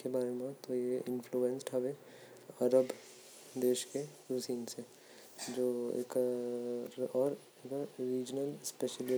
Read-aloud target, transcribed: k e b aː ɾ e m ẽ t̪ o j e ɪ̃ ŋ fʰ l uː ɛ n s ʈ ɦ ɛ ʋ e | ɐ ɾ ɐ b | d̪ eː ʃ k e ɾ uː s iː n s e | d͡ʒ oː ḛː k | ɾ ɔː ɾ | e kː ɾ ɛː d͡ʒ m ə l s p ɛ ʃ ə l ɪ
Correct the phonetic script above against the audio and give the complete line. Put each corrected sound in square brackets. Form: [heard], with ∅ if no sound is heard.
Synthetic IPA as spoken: k e b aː ɾ e m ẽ t̪ o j e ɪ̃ [n] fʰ l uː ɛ n s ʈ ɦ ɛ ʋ e | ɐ ɾ [ə] b | d̪ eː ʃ k e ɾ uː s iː n s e | d͡ʒ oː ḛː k | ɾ ɔː ɾ | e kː ɾ [iː] d͡ʒ [n] ə l s p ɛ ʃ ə l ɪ